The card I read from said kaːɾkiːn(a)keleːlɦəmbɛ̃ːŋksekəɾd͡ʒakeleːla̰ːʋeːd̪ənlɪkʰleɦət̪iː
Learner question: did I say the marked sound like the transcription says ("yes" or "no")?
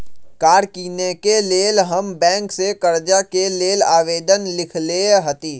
no